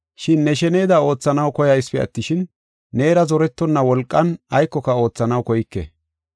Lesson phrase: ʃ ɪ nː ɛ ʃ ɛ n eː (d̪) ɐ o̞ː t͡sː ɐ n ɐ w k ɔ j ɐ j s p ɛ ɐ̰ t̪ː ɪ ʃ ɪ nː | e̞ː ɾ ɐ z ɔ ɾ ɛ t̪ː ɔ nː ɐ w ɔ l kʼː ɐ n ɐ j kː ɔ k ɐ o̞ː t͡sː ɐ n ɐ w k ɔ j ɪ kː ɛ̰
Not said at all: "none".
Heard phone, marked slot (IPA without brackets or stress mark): d̪